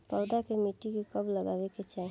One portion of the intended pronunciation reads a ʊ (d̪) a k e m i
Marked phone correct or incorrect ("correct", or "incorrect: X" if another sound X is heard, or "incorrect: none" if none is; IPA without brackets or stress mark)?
correct